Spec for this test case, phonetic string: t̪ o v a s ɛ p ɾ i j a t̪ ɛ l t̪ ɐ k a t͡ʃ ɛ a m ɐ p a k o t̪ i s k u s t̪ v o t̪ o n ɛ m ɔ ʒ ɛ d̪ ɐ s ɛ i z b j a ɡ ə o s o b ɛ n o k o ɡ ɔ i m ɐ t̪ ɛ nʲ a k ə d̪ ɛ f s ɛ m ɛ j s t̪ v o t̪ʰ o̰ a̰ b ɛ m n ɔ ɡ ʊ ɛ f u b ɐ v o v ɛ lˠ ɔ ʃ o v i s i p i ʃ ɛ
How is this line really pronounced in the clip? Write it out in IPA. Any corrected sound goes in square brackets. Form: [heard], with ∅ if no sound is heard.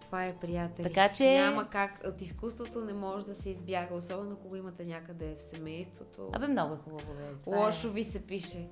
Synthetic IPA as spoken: t̪ o v a [∅] ɛ p ɾ i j a t̪ ɛ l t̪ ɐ k a t͡ʃ ɛ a m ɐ [k] a k o t̪ i s k u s t̪ v o t̪ o n ɛ m ɔ ʒ ɛ d̪ ɐ s ɛ i z b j a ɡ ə o s [ɔ] b ɛ n o k o ɡ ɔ i m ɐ t̪ ɛ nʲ a k ə d̪ ɛ f s ɛ m ɛ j s t̪ v o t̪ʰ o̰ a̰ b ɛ m n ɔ ɡ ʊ ɛ [x] u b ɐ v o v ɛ lˠ ɔ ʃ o v i s [ɛ] p i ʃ ɛ